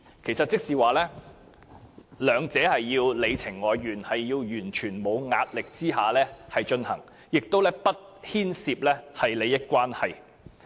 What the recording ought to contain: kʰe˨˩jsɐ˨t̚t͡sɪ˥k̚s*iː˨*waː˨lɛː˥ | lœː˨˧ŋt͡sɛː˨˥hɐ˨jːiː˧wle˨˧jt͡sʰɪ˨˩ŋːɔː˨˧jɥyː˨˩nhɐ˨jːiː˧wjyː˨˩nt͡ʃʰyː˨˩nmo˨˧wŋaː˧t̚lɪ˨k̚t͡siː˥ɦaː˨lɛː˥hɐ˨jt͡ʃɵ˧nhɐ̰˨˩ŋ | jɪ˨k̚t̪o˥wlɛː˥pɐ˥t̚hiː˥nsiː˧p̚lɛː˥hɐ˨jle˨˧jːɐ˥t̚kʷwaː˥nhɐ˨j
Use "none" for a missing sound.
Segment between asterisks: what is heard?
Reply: iː˨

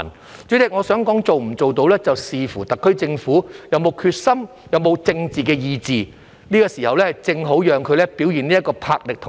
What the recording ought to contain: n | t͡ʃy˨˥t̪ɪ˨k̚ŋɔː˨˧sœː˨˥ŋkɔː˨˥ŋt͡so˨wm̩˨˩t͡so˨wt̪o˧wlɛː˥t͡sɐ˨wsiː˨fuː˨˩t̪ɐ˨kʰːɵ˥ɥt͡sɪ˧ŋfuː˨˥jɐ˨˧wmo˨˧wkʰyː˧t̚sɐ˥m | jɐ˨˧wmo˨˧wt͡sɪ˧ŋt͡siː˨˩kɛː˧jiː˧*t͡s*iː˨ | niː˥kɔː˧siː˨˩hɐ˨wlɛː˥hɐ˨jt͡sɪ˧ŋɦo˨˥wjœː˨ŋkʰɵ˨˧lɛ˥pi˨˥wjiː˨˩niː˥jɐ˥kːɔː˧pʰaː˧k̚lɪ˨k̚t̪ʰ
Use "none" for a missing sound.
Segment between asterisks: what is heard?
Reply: t͡s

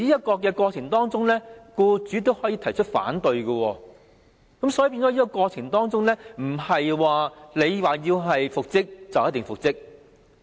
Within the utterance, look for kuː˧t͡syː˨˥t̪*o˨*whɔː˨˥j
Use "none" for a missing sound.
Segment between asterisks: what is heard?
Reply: o˥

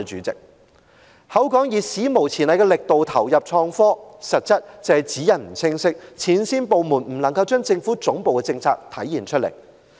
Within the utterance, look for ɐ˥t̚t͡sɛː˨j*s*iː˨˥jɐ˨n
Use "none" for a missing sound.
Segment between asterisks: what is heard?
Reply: t͡s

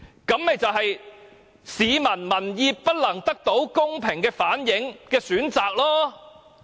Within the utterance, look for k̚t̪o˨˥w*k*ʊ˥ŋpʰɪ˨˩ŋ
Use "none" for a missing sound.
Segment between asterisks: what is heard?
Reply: k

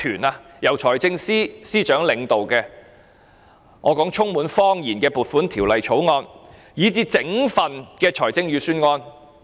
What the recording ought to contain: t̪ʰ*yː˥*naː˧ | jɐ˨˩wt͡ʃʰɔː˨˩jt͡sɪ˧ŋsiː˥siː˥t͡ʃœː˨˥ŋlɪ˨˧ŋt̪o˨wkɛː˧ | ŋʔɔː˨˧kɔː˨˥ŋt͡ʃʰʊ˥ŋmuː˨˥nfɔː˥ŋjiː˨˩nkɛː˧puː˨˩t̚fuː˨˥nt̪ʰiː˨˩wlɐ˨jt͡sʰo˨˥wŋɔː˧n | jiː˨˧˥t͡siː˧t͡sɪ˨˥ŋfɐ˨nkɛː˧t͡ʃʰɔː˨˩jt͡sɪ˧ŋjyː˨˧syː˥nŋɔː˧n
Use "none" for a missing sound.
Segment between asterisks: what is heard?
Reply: yː˨˩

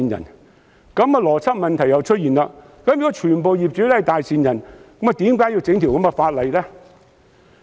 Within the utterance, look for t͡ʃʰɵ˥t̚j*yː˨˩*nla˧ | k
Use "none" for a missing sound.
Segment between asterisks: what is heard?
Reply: iː˨˩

